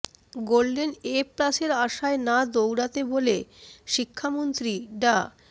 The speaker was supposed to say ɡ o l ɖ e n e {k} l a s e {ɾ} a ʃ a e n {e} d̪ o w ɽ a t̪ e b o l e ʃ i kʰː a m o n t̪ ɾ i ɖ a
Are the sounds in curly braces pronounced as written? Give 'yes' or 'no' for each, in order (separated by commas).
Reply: no, yes, no